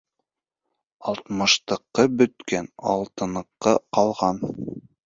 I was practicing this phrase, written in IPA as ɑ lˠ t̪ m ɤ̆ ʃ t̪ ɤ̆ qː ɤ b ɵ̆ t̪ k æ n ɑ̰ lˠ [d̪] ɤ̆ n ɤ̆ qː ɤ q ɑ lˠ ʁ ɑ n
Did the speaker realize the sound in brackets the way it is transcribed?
no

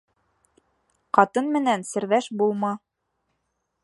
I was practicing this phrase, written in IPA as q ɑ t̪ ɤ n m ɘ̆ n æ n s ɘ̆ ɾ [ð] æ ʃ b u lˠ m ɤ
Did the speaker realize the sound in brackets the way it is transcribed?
yes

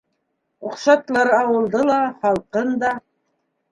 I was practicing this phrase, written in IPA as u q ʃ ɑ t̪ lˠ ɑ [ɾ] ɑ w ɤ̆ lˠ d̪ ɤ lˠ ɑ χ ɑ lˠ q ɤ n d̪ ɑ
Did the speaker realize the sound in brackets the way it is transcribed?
yes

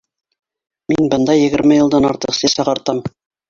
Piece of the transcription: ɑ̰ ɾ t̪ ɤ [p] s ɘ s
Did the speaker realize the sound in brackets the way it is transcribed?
no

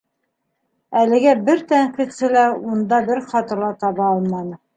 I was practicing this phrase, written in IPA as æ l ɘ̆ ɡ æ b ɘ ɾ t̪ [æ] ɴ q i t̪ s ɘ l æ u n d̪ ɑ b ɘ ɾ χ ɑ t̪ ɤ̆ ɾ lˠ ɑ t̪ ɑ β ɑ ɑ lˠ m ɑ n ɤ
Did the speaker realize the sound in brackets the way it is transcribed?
yes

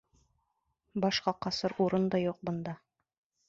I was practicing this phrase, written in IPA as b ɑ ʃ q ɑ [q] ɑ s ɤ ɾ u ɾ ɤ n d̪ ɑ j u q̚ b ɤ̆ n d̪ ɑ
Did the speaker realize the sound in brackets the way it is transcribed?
yes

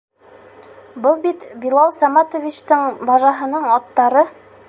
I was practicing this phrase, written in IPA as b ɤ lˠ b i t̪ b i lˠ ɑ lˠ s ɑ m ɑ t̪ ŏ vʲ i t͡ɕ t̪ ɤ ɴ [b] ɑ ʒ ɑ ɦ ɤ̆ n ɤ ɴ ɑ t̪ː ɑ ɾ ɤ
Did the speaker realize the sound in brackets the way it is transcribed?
yes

